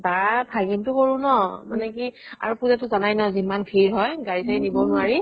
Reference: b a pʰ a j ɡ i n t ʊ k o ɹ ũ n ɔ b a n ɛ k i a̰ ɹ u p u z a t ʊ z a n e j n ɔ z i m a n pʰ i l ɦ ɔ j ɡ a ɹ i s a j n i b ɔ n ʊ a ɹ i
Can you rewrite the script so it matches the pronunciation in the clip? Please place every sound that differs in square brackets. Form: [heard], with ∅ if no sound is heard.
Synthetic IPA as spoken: b a pʰ a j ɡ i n t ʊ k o ɹ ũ n ɔ [m] a n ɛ k i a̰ ɹ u p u z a t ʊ z a n [a] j n ɔ z i m a n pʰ i [ɹ] ɦ ɔ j ɡ a ɹ i s a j n i b ɔ n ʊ a ɹ i